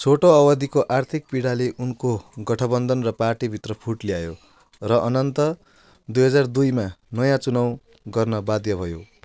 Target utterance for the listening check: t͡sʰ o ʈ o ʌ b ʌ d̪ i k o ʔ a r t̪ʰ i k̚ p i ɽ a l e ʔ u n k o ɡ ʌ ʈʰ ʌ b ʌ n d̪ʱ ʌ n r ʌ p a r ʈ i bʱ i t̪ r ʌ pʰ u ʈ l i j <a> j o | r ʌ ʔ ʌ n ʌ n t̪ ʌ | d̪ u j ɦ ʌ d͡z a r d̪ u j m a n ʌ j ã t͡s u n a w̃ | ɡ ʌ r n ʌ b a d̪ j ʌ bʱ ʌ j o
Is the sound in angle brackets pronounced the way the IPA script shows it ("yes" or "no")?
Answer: yes